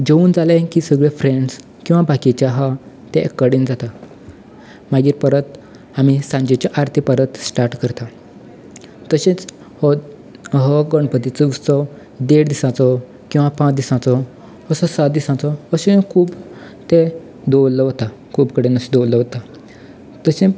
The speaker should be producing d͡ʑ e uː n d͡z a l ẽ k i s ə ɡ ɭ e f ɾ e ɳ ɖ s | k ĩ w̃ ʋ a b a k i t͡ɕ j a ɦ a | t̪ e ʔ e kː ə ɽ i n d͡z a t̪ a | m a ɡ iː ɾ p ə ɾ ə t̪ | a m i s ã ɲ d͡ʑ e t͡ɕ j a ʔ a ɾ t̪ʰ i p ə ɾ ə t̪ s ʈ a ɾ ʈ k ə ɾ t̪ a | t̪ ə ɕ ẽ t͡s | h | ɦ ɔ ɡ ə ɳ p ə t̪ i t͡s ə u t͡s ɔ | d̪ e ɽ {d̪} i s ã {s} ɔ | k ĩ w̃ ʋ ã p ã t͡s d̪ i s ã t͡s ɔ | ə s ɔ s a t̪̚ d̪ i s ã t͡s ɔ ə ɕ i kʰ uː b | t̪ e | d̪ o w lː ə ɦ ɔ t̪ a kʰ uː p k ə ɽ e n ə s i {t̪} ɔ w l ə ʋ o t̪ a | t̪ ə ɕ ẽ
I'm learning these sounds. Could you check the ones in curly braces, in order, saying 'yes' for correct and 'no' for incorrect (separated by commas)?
yes, no, no